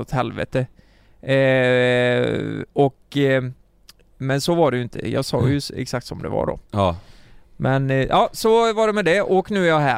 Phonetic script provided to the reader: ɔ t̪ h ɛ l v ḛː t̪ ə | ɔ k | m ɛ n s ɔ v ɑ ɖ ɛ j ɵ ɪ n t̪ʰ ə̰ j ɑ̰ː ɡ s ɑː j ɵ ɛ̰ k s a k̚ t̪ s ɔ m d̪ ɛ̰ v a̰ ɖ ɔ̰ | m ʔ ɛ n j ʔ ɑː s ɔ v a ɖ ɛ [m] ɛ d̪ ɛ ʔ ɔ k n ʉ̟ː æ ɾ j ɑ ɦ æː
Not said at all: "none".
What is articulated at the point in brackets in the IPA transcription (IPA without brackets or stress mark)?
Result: m